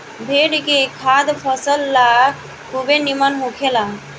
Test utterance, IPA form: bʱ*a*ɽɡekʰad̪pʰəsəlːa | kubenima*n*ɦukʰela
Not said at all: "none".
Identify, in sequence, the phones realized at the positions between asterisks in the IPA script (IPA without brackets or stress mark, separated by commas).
e, n